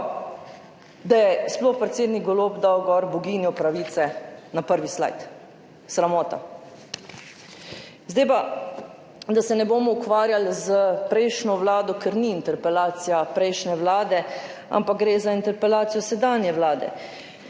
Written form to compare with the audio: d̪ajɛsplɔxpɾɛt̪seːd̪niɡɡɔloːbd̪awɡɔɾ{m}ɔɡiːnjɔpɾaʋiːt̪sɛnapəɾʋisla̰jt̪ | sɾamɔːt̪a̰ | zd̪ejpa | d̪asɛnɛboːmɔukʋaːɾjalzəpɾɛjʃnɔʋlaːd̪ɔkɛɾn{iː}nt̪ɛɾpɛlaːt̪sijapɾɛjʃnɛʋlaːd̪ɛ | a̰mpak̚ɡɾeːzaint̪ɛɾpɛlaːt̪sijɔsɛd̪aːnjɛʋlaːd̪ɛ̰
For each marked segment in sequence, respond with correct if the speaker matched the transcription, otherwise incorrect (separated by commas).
incorrect, correct